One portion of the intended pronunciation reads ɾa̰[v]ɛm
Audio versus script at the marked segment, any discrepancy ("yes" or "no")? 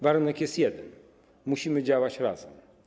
yes